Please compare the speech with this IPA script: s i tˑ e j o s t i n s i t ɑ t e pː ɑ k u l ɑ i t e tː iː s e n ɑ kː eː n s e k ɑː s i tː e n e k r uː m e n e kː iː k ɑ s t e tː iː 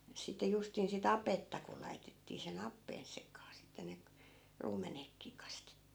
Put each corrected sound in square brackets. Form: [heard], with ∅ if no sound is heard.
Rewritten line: s i tˑ e j [u] s t i n s i t ɑ [p] e [tː] ɑ k u l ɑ i t e tː iː s e n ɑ [pː] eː n s e k ɑː s i tː e n e k r uː m e n e kː iː k ɑ s t e tː iː